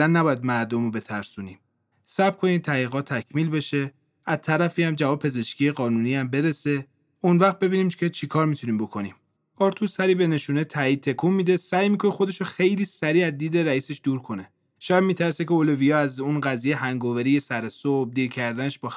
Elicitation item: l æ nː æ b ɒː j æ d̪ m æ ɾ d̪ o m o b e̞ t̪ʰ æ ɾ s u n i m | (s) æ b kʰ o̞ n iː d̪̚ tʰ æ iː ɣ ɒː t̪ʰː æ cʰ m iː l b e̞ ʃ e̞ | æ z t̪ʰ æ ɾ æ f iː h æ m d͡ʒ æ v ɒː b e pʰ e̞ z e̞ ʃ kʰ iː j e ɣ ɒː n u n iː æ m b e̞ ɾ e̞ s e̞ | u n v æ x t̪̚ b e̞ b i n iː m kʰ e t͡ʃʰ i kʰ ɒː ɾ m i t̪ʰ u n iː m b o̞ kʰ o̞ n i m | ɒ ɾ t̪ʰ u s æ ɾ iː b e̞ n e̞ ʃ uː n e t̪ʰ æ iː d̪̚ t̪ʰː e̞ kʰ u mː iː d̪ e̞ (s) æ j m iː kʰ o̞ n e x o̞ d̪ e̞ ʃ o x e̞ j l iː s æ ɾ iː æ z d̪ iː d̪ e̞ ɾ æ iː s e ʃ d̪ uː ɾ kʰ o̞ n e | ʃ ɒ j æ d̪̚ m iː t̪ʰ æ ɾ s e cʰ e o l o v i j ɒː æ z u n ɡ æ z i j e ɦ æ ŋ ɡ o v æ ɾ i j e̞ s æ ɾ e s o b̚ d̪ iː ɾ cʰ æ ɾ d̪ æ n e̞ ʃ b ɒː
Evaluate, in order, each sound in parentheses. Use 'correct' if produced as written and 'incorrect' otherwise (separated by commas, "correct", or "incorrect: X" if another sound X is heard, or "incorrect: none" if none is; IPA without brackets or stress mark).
correct, correct